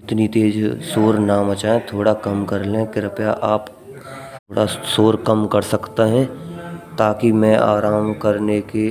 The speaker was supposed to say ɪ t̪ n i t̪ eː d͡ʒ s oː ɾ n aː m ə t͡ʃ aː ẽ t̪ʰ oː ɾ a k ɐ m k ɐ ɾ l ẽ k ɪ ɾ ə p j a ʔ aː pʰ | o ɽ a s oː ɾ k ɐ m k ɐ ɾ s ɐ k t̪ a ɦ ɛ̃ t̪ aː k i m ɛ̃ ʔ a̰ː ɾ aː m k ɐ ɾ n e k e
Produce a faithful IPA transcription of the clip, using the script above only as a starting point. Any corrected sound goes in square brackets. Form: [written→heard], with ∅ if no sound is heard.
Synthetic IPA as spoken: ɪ t̪ n i t̪ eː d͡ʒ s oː ɾ n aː m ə t͡ʃ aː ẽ t̪ʰ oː [ɾ→ɽ] a k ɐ m k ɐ ɾ l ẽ k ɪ ɾ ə p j a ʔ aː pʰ | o ɽ a s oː ɾ k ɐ m k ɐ ɾ s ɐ k t̪ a ɦ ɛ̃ t̪ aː k i m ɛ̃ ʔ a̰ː ɾ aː m k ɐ ɾ n e k e